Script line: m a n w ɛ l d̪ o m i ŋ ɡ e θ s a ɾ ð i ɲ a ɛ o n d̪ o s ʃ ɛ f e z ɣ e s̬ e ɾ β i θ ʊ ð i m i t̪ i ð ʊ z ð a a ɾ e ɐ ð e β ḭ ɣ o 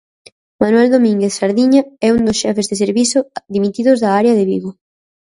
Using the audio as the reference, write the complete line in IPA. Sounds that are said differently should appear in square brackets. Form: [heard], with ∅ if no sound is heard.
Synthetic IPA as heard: m a n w ɛ l d̪ o m i ŋ ɡ e θ s a ɾ ð i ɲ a ɛ [u] n d̪ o s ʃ ɛ f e z [ð] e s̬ e ɾ β i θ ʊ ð i m i t̪ i ð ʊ z ð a a ɾ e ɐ ð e β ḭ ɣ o

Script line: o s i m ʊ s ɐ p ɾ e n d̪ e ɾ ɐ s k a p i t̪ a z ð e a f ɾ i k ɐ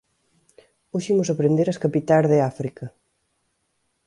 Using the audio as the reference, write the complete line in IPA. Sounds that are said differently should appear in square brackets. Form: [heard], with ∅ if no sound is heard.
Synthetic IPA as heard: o [ʃ] i m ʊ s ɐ p ɾ e n d̪ e ɾ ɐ s k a p i t̪ a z ð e a f ɾ i k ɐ

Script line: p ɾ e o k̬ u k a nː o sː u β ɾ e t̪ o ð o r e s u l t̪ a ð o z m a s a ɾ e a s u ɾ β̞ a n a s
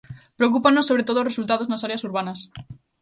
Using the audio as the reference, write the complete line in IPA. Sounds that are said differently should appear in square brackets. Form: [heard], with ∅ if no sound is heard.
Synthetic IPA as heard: p ɾ e o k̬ u [p] a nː o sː [o] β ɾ e t̪ o ð o r e s u l t̪ a ð o z [n] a s a ɾ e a s u ɾ β̞ a n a s

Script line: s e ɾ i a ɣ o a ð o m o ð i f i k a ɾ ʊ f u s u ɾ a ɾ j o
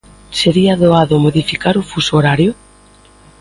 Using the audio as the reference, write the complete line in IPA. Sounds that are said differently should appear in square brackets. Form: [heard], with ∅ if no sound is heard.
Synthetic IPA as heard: s e ɾ i a [ð] o a ð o m o ð i f i k a ɾ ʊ f u s [o] ɾ a ɾ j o

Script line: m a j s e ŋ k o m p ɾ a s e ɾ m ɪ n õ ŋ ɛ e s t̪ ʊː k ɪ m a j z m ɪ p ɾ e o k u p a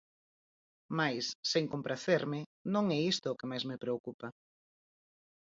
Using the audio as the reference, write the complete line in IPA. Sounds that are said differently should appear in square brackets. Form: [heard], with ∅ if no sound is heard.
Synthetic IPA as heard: m a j [sː] e ŋ k o m p ɾ a [θ] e ɾ m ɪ n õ ŋ ɛ [i] s t̪ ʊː k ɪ m a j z m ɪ p ɾ e o k u p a

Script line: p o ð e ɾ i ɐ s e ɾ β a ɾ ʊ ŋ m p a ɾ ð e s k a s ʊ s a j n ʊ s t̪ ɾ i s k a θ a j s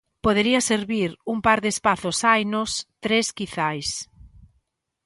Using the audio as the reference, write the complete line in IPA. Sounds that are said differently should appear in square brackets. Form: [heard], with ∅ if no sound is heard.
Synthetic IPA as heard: p o ð e ɾ i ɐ s e ɾ β [i] ɾ [u] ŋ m p a ɾ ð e s [p] a [θ] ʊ s a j n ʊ s t̪ ɾ [e] s k [i] θ a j s

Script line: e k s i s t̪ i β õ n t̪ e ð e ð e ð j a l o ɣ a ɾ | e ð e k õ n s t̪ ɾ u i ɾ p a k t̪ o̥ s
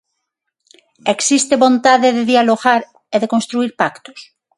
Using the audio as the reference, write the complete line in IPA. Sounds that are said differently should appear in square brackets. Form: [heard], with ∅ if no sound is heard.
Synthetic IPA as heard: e k s i s t̪ [e] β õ n t̪ [a] ð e ð e ð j a l o ɣ a ɾ | e ð e k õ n s t̪ ɾ u i ɾ p a k t̪ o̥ s

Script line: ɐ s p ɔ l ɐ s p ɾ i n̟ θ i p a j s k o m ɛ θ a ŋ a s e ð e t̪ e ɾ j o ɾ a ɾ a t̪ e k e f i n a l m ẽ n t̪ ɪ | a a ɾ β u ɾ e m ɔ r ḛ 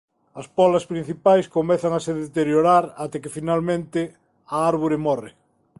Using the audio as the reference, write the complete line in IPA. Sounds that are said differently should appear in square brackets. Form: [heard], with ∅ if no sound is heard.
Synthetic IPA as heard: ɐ s p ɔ l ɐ s p ɾ i n̟ θ i p a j s k o m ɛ θ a ŋ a s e ð e t̪ e ɾ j o ɾ a ɾ a t̪ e k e f i n a l m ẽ n t̪ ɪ | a a ɾ β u ɾ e m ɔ r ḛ

